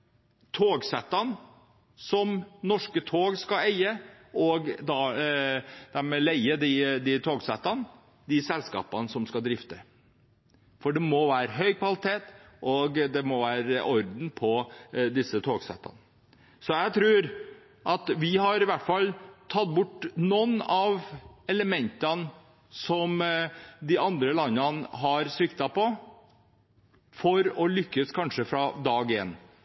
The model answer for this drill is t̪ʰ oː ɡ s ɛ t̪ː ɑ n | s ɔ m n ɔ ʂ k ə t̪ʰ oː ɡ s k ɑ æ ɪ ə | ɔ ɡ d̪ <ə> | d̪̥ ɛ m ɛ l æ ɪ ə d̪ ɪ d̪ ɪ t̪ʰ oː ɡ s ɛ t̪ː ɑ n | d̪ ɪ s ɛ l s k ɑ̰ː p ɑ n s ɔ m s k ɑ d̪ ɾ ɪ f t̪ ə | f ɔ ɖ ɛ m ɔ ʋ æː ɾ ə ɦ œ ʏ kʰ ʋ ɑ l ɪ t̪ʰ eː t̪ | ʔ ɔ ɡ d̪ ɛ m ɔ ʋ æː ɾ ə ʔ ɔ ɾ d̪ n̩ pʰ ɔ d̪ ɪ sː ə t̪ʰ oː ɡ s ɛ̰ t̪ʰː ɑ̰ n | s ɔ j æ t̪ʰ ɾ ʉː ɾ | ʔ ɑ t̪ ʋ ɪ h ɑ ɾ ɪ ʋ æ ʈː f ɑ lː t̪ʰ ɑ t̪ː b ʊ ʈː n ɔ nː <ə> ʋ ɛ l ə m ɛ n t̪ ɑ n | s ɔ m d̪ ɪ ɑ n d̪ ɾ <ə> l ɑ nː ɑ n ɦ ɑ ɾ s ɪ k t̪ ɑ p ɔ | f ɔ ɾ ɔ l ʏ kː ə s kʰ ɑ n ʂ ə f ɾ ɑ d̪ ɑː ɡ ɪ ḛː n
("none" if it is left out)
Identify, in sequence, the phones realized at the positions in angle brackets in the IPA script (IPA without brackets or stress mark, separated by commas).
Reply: ɑ, ɑ, ə